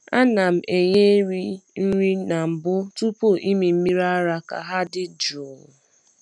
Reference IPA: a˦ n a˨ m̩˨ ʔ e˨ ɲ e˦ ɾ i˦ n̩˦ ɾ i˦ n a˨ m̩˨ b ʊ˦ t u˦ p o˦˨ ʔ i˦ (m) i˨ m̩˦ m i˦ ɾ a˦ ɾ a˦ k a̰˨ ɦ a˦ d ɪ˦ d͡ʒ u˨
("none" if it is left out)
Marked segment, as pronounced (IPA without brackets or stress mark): m